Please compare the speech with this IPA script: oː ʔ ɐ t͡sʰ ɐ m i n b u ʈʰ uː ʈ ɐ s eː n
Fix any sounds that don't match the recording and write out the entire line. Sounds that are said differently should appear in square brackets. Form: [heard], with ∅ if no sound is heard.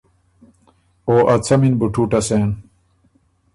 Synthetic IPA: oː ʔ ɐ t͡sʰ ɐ m i n b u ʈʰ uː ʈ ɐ s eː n

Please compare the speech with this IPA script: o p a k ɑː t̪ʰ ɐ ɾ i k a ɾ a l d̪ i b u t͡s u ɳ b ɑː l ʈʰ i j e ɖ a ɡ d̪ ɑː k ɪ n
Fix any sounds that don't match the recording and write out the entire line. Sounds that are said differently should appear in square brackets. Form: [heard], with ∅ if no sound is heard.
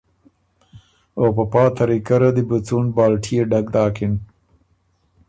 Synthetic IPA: o p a [p] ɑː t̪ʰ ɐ ɾ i k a ɾ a [∅] d̪ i b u t͡s u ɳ b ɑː l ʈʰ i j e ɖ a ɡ d̪ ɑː k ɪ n

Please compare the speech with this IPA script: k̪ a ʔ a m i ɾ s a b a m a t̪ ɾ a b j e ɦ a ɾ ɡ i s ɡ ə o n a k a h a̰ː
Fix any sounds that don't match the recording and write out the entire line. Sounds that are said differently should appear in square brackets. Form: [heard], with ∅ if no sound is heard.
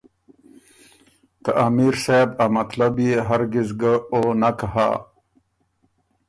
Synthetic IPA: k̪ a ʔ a m i ɾ s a b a m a t̪ [l] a b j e ɦ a ɾ ɡ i [z] ɡ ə o n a k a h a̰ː

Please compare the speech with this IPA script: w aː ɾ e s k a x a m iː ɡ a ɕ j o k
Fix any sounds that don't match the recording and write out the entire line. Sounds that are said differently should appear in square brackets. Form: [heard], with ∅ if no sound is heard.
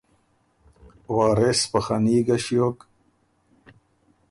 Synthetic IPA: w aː ɾ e s [p] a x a [n] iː ɡ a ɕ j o k

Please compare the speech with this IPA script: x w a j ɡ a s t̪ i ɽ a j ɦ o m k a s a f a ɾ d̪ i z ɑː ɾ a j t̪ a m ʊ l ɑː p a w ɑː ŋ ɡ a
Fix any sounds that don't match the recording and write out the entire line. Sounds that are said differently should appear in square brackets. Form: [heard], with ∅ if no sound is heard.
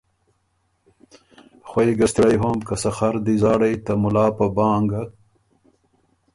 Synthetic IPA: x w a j ɡ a s t̪ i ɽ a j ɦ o m k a s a [x] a ɾ d̪ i z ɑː [ɽ] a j t̪ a m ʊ l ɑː p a [b] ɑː ŋ ɡ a

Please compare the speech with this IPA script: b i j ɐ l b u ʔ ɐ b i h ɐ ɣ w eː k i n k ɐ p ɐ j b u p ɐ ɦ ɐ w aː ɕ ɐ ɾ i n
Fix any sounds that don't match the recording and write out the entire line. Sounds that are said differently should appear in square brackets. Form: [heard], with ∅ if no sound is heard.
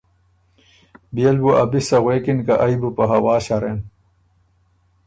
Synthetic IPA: b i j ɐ l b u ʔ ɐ b i [s] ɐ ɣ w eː k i n k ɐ [ʔ] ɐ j b u p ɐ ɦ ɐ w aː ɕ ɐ ɾ [e] n

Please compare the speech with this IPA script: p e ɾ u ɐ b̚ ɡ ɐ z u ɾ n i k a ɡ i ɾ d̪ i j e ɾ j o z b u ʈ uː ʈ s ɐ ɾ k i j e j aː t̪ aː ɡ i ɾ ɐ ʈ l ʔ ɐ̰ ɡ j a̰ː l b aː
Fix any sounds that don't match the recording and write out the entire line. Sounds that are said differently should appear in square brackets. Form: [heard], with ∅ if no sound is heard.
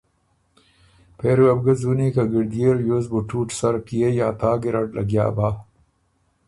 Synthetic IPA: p e ɾ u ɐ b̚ ɡ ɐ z u [∅] n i k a ɡ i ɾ d̪ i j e ɾ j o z b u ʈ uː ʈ s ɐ ɾ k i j e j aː t̪ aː ɡ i ɾ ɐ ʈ l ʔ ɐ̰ ɡ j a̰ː [∅] b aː

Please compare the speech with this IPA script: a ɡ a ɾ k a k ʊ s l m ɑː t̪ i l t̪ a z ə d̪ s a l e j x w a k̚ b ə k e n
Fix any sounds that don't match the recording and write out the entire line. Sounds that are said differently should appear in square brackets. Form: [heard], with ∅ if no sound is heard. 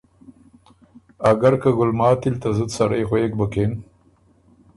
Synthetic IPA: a ɡ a ɾ k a [ɡ] ʊ [∅] l m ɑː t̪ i l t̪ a z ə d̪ s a [ɾ] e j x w [e] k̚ b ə k e n

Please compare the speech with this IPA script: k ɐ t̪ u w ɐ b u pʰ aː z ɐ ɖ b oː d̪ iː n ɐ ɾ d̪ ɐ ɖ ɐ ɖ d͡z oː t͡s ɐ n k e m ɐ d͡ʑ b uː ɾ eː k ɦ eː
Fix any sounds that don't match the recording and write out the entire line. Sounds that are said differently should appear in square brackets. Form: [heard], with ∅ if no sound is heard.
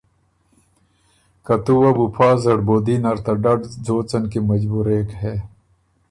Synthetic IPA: k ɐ t̪ u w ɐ b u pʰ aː z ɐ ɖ b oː d̪ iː n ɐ ɾ [t̪] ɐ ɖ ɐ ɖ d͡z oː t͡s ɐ n k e m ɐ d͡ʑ b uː ɾ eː k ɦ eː

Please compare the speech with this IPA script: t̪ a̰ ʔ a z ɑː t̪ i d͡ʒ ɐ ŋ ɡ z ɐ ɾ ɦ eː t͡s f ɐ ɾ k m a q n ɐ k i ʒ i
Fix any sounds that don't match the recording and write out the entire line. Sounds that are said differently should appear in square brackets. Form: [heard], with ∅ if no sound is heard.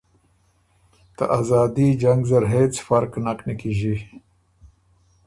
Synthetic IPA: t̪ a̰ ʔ a z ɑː [d̪] i d͡ʒ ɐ ŋ ɡ z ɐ ɾ ɦ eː t͡s f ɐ ɾ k [n] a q n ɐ k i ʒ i

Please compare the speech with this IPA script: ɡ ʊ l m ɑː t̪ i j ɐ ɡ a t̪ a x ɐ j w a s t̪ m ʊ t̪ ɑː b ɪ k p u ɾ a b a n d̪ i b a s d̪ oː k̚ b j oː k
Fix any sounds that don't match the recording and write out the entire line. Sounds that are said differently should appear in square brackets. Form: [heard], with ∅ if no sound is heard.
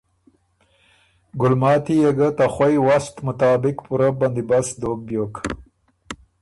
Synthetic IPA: ɡ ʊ l m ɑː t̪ i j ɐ ɡ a t̪ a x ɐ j w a s t̪ m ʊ t̪ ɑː b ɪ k p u ɾ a b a n d̪ i b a s d̪ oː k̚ b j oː k

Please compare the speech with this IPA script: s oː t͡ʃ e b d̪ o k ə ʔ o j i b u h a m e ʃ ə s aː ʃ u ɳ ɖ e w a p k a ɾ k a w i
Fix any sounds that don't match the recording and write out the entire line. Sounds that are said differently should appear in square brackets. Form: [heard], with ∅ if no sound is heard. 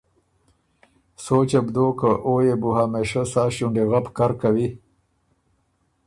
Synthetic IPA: s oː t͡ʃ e b d̪ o k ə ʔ o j [e] b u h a m e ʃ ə s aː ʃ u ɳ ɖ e [ɣ] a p k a ɾ k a w i

